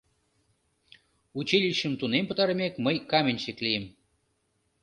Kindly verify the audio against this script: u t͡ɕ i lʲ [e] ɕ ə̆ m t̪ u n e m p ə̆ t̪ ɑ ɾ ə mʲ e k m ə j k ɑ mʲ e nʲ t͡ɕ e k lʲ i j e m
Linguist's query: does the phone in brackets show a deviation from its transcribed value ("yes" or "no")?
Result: yes